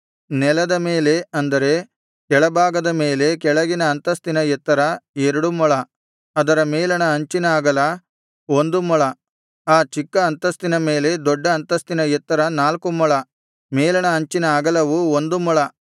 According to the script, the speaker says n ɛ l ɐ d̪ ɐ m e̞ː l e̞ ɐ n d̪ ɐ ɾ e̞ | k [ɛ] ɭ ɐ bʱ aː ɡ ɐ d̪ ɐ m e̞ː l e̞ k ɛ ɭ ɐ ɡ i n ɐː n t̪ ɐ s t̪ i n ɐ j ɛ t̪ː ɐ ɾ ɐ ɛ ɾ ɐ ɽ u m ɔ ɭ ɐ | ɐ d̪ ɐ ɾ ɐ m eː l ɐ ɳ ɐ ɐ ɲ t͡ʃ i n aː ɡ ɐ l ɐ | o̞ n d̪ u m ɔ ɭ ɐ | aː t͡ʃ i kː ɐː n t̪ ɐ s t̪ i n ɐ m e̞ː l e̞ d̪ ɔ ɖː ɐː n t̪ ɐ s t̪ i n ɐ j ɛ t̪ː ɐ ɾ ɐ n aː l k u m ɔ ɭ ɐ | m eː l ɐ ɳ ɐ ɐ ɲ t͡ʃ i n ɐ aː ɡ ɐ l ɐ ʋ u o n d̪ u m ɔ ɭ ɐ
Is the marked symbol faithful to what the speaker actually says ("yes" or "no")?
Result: yes